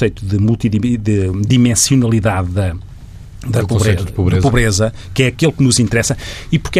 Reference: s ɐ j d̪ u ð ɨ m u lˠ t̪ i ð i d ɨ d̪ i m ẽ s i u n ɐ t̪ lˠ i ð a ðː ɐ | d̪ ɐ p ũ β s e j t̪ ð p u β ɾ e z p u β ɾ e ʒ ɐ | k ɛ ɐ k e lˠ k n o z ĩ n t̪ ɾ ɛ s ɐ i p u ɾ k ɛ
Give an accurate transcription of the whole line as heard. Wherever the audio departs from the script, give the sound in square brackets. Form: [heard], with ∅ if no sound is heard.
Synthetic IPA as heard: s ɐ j [t̪] u ð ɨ m u lˠ t̪ i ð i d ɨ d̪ i m ẽ s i u n ɐ [∅] lˠ i ð a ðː ɐ | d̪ ɐ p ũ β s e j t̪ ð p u β ɾ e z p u β ɾ e [z] ɐ | k ɛ ɐ k e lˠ k n [u] z ĩ n t̪ ɾ ɛ s ɐ i p u ɾ k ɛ